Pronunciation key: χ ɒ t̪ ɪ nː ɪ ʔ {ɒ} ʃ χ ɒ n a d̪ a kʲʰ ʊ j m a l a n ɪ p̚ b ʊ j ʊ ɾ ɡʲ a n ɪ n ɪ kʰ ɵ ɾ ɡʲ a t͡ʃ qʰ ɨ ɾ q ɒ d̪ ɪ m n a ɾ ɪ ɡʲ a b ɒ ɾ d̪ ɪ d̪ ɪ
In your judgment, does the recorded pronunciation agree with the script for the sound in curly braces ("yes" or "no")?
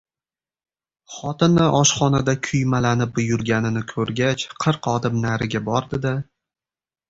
yes